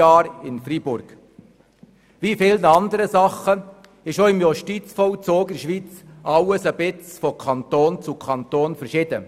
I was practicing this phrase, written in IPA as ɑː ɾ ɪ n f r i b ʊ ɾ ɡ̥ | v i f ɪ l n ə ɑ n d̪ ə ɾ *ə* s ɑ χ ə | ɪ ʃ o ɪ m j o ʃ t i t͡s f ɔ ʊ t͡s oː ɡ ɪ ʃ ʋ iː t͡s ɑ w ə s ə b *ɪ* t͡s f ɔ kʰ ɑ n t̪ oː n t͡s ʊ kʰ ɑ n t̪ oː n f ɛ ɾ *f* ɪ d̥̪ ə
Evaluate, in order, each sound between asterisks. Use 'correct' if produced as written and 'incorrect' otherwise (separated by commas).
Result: correct, correct, incorrect